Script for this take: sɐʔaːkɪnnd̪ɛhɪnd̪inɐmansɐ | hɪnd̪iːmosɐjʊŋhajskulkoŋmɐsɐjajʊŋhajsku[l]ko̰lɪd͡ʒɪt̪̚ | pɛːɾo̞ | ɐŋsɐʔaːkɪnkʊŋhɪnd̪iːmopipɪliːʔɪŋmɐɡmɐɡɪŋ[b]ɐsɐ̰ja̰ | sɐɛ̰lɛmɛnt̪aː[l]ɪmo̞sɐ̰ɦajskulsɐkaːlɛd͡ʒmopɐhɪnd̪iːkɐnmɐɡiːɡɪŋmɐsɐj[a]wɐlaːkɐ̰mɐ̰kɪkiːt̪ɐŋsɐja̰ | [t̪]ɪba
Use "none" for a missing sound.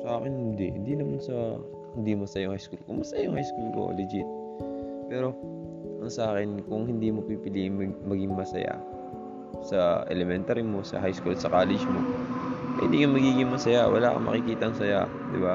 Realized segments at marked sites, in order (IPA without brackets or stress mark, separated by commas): l, m, ɾ, a, d̪